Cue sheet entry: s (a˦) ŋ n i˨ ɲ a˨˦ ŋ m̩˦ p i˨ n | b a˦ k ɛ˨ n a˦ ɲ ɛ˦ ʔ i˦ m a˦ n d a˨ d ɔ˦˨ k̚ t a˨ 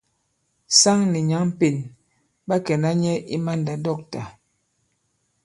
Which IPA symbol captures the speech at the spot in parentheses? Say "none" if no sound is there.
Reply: a˦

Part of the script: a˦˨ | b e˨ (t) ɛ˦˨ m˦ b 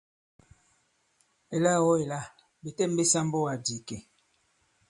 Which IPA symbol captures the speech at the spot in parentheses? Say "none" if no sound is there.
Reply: t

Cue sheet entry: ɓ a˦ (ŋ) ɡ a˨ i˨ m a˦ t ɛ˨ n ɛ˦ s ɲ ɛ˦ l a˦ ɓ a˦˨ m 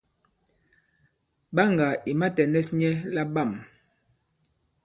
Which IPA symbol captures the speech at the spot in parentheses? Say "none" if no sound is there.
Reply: ŋ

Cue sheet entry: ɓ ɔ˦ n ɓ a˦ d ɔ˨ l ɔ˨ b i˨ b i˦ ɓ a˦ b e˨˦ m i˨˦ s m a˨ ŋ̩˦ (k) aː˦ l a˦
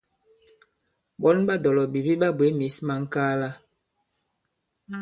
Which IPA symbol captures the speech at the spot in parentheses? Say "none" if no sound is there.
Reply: k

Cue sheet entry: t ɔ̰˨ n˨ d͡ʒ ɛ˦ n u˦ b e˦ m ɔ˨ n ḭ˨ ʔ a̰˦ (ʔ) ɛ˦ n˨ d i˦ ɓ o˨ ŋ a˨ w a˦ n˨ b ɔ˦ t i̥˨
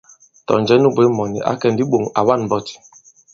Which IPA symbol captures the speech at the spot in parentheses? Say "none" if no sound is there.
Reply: k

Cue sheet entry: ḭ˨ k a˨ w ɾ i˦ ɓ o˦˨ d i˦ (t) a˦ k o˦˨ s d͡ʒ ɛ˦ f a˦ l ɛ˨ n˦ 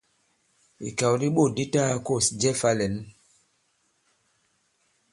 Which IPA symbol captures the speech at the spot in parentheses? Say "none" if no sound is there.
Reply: t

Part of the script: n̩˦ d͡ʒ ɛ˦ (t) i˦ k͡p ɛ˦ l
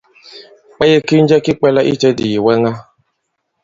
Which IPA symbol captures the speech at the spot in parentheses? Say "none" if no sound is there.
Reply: k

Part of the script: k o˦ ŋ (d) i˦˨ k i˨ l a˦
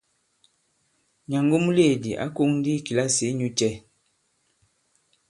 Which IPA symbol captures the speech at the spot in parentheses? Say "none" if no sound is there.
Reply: d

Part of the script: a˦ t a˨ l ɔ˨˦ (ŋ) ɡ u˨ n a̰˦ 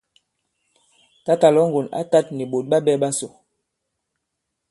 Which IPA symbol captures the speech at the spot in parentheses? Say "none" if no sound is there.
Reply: ŋ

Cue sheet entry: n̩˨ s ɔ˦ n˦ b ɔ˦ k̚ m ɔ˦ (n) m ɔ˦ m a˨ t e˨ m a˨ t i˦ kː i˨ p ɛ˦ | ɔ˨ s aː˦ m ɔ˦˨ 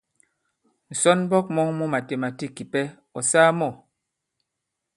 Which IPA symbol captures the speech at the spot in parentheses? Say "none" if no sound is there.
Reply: ŋ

